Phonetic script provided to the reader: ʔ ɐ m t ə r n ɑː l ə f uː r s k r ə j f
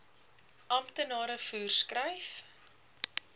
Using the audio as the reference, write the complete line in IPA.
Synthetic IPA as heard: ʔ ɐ m t ə n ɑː ɾ ə f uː r s k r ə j f